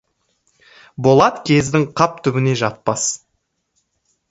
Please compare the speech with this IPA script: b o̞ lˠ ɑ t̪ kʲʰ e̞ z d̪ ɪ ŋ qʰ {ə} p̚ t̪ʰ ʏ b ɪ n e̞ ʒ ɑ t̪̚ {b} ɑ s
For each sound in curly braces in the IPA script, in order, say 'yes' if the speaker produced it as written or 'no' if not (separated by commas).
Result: no, no